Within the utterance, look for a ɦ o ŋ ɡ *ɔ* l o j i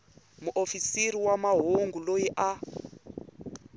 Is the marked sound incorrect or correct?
incorrect